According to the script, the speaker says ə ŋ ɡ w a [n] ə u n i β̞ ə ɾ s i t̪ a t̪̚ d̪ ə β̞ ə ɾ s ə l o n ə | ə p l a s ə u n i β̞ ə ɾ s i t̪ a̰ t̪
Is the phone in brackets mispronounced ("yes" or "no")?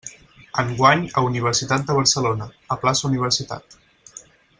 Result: yes